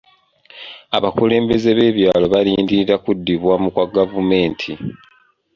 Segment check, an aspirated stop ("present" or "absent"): present